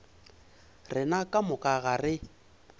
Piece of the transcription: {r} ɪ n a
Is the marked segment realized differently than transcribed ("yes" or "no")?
no